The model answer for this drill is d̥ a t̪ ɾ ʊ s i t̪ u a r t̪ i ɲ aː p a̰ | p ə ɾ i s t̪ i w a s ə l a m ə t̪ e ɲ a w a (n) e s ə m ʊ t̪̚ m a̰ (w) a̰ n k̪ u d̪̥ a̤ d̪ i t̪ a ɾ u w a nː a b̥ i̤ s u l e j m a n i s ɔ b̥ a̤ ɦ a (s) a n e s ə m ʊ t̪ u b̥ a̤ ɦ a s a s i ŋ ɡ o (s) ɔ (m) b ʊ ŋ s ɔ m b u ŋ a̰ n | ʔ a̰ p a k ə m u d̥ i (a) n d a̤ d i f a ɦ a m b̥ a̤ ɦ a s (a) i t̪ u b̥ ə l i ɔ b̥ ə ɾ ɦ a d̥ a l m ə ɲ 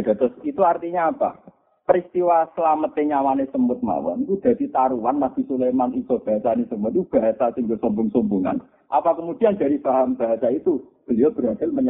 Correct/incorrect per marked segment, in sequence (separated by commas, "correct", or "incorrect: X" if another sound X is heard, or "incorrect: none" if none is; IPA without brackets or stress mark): correct, correct, correct, correct, correct, correct, correct